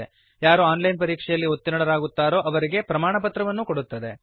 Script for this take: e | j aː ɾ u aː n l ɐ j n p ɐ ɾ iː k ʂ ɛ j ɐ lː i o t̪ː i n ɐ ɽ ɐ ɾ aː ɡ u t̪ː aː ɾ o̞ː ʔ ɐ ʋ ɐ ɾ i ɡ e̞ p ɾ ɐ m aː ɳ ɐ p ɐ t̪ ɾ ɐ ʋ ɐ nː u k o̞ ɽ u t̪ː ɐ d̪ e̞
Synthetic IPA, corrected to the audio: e | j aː ɾ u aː n l ɐ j n p ɐ ɾ iː k ʂ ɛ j ɐ lː i o t̪ː i n ɐ ɽ ɐ ɾ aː ɡ u t̪ː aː ɾ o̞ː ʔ ɐ ʋ ɐ ɾ i ɡ e̞ p ɾ ɐ m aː ɳ ɐ p ɐ t̪ ɾ ɐ ʋ ɐ nː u k o̞ ɽ u t̪ː ɐ d̪ e̞